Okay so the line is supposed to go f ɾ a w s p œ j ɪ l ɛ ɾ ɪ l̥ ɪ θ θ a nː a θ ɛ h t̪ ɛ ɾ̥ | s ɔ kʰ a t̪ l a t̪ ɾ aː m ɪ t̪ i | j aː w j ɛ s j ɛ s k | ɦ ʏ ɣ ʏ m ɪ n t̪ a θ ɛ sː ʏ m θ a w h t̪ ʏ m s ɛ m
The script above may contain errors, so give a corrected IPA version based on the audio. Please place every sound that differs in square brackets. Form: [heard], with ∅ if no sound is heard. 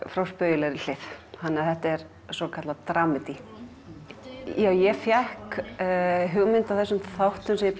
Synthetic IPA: f ɾ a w s p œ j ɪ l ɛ ɾ ɪ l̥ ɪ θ [h] a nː a θ ɛ h t̪ ɛ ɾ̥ | s ɔ kʰ a t̪ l a t̪ ɾ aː m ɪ t̪ i | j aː w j ɛ [f] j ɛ [h] k | ɦ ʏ ɣ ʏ m ɪ n t̪ a θ ɛ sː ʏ m θ a w h t̪ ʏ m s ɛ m